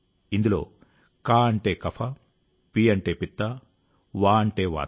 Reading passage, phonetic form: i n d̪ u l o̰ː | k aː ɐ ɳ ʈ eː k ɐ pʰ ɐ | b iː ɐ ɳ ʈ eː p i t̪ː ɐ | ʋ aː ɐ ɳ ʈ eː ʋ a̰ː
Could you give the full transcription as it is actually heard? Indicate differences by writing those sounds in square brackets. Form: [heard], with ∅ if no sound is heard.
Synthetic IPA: i n d̪ u l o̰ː | k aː ɐ ɳ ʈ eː k ɐ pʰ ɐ | [p] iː ɐ ɳ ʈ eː p i t̪ː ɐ | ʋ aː ɐ ɳ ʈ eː ʋ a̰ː